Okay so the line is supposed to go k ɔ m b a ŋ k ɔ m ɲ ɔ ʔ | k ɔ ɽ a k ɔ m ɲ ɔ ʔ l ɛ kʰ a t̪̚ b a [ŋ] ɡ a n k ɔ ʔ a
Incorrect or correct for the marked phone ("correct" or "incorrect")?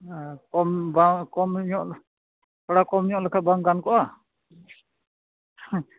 correct